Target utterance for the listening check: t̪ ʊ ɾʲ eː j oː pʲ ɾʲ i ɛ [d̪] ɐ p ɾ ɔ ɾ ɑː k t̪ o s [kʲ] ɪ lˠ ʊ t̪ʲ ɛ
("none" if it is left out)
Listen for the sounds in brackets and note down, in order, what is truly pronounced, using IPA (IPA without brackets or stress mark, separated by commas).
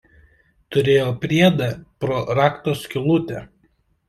d̪, kʲ